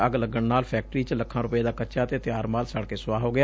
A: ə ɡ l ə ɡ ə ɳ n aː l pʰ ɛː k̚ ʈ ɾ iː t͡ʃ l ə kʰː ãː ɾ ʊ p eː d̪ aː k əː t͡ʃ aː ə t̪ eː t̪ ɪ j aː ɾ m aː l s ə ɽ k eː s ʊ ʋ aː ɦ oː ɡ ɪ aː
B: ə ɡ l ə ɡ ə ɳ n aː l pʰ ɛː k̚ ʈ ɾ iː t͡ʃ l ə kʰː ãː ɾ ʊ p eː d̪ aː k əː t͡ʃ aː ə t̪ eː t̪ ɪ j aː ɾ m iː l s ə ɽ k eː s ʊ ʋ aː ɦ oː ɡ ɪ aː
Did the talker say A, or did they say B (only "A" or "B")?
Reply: A